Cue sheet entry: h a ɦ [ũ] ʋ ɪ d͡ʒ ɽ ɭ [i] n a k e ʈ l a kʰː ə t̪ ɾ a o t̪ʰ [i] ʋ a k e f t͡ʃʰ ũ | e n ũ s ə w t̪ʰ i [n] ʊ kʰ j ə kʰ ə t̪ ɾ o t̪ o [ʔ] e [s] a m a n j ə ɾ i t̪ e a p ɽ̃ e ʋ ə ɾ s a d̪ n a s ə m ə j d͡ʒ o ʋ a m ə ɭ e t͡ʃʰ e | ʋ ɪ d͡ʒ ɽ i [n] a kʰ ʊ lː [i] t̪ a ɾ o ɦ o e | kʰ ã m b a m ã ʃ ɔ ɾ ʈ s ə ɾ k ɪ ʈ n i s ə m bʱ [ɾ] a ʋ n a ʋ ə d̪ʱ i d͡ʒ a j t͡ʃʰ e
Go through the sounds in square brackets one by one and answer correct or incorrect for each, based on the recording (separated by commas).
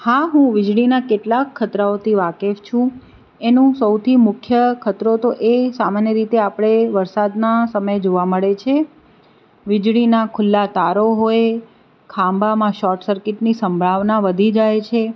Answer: correct, correct, correct, incorrect, correct, correct, correct, incorrect, incorrect